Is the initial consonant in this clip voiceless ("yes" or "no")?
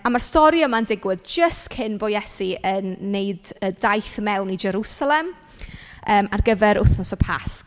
no